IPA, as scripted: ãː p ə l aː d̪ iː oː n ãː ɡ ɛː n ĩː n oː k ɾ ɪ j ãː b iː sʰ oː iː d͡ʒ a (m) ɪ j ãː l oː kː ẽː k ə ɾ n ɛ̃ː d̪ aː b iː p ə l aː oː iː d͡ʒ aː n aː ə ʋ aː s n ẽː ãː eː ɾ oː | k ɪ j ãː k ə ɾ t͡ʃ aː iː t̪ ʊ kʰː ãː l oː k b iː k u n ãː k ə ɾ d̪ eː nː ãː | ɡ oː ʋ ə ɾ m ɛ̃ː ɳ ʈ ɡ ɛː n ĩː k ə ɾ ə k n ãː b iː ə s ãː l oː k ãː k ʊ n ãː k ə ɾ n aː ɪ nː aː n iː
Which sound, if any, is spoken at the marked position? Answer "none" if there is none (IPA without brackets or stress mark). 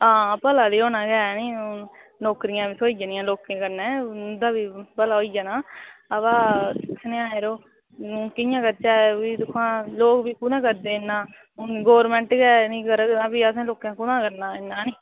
n